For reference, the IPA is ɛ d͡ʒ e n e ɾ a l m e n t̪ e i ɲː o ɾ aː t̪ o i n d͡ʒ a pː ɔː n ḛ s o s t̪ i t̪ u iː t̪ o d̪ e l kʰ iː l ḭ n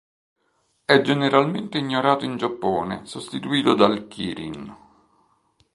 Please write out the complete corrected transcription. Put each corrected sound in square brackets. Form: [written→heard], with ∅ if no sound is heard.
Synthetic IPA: ɛ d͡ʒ e n e ɾ a l m e n t̪ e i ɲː o ɾ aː t̪ o i n d͡ʒ a pː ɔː n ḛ s o s t̪ i t̪ u iː t̪ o d̪ [e→a] l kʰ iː [l→ɾ] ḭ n